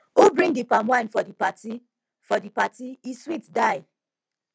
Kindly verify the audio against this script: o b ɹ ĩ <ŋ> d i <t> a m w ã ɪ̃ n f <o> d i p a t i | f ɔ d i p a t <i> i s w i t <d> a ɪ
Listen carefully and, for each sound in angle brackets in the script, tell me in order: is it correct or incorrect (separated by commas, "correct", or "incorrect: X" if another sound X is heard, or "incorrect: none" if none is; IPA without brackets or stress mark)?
correct, incorrect: p, incorrect: ɔ, correct, correct